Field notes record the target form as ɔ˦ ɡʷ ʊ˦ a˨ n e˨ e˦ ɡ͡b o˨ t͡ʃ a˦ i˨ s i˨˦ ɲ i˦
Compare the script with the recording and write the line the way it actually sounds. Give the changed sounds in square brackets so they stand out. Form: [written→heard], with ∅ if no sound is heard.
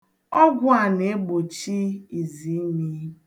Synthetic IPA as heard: ɔ˦ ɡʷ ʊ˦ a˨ n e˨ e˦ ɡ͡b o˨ t͡ʃ [a˦→i˦] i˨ [s→z] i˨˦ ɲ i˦